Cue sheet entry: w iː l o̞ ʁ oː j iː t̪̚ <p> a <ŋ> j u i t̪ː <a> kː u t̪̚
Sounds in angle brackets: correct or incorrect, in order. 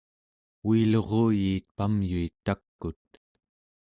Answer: correct, incorrect, correct

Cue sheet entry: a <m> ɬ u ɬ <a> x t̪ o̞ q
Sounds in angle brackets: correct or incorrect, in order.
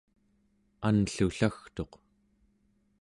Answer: incorrect, correct

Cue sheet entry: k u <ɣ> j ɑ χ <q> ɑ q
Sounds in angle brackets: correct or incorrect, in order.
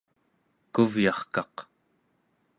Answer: incorrect, incorrect

